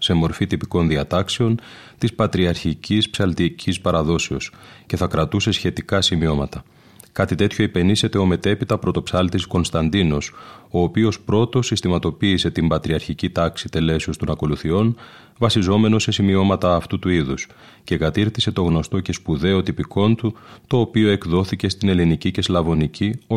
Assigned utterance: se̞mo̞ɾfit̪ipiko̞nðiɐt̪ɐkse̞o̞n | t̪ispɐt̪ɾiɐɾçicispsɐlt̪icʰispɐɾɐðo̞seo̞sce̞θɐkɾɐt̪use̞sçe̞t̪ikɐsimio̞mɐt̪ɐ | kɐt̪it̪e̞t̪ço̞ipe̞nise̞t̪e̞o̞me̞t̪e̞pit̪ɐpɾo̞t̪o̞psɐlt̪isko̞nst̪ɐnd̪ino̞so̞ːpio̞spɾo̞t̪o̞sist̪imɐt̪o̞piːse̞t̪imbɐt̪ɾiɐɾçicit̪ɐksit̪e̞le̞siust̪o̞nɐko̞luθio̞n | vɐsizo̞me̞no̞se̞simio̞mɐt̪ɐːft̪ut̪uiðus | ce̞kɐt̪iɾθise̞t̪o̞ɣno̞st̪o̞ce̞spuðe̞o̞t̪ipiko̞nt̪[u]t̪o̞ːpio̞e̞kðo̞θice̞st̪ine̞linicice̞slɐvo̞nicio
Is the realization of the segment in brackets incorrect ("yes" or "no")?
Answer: no